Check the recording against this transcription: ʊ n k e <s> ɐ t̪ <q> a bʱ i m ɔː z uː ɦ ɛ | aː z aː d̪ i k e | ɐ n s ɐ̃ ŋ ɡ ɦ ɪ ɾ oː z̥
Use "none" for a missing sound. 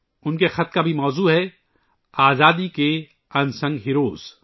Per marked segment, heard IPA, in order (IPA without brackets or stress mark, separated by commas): x, k